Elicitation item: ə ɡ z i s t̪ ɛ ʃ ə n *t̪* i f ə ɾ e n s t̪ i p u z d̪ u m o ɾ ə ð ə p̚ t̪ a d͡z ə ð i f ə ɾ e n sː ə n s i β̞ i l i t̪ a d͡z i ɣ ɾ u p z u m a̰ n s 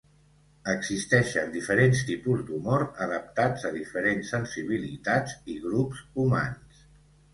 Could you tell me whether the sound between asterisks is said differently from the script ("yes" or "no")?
yes